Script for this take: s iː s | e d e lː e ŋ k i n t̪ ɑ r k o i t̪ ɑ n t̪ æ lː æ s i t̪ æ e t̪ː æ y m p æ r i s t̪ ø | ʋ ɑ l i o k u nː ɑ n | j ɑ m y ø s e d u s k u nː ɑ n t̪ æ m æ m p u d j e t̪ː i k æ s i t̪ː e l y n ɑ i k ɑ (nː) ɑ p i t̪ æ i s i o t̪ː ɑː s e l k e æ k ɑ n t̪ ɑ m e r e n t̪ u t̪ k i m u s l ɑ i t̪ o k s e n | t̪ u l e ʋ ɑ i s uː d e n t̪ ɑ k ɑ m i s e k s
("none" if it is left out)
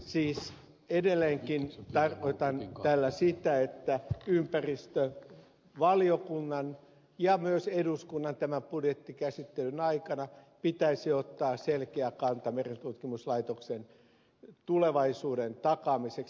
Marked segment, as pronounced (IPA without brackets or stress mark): n